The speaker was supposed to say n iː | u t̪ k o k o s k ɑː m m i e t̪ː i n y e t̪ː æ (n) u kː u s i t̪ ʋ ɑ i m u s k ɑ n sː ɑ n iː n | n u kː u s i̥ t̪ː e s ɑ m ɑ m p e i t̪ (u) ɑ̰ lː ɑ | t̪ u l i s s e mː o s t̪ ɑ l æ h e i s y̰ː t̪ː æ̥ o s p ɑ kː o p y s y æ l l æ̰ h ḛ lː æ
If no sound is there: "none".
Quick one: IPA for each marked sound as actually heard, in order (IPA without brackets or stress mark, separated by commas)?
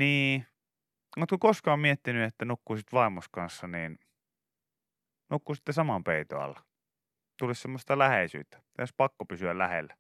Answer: n, o